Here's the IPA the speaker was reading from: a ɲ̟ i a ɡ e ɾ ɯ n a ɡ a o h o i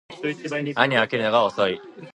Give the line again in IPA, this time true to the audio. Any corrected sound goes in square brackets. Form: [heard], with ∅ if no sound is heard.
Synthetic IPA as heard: a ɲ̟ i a [k] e ɾ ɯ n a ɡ a o [s] o i